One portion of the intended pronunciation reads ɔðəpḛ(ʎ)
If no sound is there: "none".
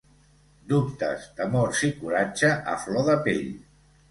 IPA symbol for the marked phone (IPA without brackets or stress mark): ʎ